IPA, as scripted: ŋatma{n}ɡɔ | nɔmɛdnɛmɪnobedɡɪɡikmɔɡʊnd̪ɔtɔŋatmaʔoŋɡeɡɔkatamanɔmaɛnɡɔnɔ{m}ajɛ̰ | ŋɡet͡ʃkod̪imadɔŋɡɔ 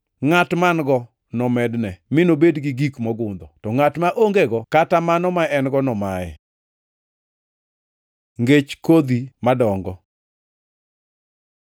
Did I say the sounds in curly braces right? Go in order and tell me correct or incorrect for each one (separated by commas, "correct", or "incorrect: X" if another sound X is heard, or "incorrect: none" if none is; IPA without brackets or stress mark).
correct, correct